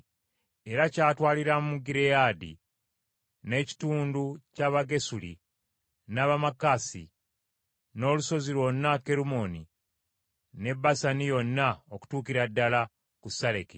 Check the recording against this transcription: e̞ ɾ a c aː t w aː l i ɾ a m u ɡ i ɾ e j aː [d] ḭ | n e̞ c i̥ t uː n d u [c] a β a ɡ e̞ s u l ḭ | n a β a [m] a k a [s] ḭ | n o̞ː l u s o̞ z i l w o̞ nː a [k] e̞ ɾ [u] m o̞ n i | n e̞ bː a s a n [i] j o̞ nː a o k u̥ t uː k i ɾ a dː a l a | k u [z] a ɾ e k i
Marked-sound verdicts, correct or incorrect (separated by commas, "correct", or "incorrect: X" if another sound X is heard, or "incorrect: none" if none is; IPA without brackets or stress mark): correct, correct, correct, correct, correct, correct, correct, incorrect: s